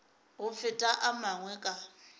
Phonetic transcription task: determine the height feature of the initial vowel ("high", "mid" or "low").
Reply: high